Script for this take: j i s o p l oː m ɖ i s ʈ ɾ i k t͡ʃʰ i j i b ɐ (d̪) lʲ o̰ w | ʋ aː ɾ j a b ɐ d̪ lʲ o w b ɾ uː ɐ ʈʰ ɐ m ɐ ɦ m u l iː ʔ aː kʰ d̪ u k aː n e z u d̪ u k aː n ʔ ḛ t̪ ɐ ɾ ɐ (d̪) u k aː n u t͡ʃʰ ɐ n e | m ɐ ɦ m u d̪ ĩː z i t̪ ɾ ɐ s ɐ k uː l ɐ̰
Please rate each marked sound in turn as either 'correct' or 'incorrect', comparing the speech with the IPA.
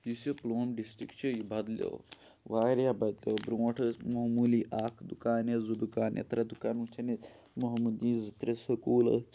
correct, correct

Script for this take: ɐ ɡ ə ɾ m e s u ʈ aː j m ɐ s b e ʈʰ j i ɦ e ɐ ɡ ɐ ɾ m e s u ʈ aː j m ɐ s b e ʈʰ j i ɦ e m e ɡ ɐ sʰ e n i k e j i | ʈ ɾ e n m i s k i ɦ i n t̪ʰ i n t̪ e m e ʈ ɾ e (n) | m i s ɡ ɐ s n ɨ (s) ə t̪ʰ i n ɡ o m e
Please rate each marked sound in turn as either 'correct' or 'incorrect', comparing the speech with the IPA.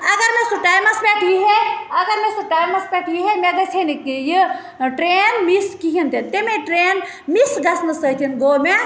correct, correct

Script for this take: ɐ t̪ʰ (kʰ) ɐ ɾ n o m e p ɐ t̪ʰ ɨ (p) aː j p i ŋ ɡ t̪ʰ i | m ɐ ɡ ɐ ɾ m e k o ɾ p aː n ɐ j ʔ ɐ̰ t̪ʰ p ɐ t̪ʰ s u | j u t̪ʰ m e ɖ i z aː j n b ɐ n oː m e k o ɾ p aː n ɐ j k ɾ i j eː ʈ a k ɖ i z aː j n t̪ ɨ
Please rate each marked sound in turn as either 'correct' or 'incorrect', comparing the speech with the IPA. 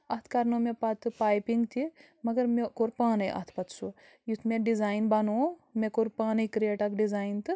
incorrect: k, correct

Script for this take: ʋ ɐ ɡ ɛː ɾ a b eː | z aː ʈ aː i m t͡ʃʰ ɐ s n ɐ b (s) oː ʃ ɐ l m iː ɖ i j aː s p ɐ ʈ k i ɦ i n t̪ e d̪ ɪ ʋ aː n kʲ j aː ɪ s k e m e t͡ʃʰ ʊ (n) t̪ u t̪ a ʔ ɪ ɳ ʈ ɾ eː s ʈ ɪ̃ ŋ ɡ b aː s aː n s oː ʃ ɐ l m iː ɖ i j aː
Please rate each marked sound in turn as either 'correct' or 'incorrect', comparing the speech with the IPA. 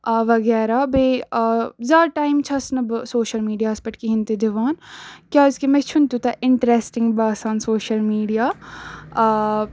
correct, correct

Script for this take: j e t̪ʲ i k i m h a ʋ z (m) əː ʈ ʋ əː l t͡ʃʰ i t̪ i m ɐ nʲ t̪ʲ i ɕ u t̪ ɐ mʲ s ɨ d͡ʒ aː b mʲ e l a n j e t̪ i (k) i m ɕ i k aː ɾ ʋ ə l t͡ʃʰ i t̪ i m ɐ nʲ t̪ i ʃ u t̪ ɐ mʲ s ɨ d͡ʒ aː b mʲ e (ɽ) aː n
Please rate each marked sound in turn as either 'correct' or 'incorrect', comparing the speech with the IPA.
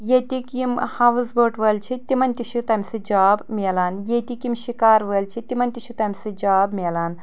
incorrect: b, correct, incorrect: l

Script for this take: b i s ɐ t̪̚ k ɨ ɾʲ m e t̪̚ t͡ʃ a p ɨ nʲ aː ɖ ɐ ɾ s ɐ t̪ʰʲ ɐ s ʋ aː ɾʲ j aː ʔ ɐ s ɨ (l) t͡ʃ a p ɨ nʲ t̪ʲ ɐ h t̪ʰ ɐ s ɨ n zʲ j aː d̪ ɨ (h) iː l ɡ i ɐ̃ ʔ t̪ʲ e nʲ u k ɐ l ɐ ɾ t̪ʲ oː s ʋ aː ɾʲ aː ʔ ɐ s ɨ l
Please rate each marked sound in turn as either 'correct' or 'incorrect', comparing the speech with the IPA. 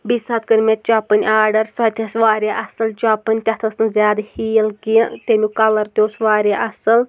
correct, correct

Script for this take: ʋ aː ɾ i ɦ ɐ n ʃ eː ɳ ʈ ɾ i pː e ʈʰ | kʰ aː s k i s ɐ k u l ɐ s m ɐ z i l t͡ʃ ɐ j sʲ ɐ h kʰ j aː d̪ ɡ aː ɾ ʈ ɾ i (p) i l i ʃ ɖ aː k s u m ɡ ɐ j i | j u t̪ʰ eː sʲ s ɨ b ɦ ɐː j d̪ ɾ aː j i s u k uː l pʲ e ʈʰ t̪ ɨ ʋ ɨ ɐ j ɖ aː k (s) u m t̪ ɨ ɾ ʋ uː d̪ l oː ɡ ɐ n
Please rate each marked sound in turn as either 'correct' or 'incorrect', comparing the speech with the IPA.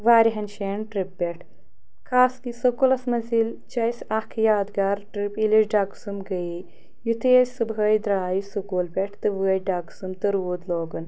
correct, correct

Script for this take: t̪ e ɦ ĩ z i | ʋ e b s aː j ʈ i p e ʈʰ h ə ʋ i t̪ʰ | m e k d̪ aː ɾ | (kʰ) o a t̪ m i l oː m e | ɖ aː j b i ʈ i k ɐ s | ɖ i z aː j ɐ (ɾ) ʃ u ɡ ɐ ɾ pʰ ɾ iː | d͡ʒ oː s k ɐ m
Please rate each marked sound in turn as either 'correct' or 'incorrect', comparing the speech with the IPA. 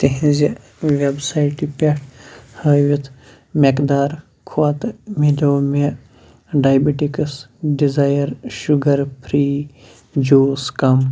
correct, correct

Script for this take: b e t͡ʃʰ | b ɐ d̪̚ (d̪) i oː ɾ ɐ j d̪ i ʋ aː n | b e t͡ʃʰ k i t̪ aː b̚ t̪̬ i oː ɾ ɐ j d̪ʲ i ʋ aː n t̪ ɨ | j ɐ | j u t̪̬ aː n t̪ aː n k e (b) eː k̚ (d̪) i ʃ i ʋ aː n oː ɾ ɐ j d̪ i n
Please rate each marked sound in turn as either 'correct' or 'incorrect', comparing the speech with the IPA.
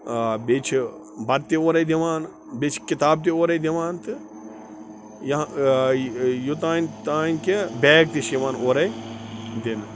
incorrect: t̪, correct, incorrect: t̪

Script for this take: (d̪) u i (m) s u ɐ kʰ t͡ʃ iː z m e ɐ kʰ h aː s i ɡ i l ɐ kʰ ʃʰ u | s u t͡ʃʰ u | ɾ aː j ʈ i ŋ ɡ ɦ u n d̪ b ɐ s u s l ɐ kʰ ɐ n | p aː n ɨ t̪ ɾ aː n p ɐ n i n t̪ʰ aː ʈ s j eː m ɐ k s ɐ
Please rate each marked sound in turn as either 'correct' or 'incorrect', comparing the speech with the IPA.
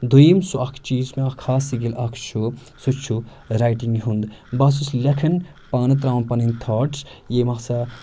correct, correct

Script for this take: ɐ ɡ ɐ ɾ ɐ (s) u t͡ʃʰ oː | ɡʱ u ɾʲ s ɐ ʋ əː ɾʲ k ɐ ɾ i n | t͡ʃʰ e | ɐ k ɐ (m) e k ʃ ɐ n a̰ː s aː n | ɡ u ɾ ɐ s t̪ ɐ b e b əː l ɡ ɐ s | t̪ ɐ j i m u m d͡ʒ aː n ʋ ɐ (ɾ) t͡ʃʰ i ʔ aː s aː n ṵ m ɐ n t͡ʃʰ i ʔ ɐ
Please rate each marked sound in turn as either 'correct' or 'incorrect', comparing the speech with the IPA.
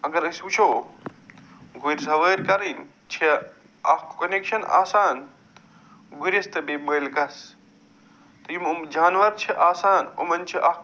correct, incorrect: n, correct

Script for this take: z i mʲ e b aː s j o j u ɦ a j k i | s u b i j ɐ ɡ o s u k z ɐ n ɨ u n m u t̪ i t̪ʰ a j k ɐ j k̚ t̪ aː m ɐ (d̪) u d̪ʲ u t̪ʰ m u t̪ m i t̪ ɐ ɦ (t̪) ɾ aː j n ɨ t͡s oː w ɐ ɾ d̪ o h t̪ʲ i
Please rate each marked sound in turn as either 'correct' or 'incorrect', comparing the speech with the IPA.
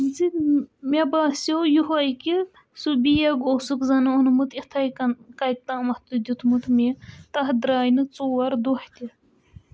incorrect: t̪, incorrect: d̪

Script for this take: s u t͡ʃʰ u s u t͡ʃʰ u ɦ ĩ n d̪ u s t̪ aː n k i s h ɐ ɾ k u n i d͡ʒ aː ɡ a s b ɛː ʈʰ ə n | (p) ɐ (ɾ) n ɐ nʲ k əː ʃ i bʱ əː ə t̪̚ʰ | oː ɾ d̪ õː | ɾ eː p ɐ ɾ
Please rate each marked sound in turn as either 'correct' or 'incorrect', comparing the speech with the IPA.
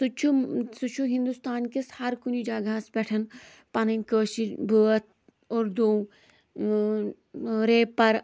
correct, incorrect: none

